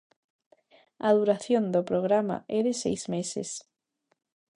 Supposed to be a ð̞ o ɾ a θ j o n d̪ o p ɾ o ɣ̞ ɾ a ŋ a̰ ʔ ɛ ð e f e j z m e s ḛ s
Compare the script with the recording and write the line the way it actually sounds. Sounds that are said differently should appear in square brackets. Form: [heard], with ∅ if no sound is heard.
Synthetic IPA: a ð̞ [u] ɾ a θ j o n d̪ o p ɾ o ɣ̞ ɾ a [m] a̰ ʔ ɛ ð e [s] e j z m e s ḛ s